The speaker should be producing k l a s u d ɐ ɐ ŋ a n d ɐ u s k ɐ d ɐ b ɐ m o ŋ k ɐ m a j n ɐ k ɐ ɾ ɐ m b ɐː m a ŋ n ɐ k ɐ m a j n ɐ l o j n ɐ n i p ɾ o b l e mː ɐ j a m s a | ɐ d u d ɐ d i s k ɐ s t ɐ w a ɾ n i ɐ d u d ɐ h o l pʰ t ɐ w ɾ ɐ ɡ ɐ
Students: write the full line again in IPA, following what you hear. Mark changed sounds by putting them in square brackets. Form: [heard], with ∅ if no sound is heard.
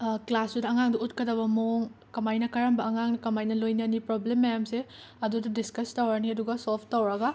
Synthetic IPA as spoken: k l a s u d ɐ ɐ ŋ a [ŋ] d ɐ u [t] k ɐ d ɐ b ɐ m o ŋ k ɐ m a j n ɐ k ɐ ɾ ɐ m b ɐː [ŋ] a ŋ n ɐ k ɐ m a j n ɐ l o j n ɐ n i p ɾ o b l e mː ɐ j a m s [e] | ɐ d u d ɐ d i s k ɐ s t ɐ w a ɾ n i ɐ d u [ɡ] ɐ [s] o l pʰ t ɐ w ɾ ɐ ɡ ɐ